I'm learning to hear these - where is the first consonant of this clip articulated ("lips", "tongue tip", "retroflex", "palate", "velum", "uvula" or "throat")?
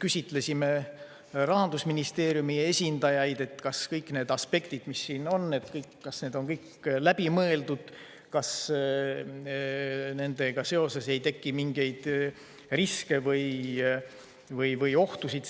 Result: velum